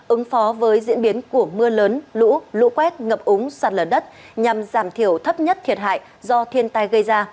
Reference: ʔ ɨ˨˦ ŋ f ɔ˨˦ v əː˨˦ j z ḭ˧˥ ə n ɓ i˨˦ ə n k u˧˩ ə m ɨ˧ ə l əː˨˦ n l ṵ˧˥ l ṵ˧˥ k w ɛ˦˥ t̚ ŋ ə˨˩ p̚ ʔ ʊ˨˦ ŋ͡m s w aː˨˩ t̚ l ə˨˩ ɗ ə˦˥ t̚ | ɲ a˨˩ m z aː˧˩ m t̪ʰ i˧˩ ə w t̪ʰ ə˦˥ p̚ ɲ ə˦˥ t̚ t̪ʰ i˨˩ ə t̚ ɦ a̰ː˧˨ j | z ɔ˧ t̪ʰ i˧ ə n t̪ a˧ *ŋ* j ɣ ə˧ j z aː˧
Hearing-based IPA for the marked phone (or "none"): none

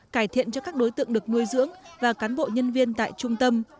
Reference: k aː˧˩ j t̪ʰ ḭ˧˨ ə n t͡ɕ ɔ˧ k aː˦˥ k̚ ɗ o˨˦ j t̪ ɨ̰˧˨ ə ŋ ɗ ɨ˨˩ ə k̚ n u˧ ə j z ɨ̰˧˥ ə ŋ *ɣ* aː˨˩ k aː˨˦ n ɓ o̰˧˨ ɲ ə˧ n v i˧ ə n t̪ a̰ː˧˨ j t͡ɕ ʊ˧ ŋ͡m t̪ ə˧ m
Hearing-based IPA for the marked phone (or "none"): v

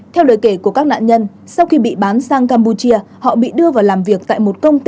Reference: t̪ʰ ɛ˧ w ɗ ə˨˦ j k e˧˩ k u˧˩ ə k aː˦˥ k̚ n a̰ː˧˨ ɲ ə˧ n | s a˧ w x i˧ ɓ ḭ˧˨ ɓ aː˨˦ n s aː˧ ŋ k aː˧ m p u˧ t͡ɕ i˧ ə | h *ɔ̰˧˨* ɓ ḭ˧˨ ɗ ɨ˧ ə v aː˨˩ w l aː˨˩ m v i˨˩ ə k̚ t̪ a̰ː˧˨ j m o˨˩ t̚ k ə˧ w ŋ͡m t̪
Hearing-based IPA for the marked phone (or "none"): ɔ̰˧˨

